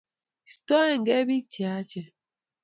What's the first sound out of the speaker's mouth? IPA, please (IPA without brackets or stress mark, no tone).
s